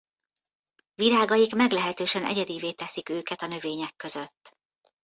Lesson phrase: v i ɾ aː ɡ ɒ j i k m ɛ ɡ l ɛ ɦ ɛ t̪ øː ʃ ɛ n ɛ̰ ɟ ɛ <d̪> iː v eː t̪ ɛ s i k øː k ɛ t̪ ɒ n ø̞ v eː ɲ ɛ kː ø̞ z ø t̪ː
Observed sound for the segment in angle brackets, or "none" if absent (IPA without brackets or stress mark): d̪